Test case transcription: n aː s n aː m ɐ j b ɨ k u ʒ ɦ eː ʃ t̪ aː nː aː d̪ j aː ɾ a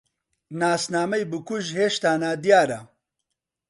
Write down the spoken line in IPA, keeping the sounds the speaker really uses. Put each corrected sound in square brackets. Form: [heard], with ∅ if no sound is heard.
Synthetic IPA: n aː s n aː m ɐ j b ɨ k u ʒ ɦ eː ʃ t̪ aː [n] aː d̪ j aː ɾ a